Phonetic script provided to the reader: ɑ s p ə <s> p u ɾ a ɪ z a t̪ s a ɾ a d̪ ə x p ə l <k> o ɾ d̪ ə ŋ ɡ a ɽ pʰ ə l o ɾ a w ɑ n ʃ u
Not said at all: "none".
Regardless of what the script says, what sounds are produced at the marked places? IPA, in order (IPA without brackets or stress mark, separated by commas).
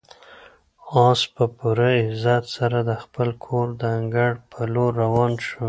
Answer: none, kʰ